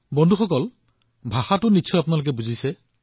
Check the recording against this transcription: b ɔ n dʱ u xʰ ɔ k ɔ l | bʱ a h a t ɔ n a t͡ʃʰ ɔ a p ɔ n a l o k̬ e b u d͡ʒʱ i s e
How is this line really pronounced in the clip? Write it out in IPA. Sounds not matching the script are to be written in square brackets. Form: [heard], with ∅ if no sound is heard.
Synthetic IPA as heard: b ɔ n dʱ u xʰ ɔ k ɔ l | bʱ a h a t [u] n [i] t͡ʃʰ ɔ a p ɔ n a l o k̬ e b u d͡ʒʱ i s e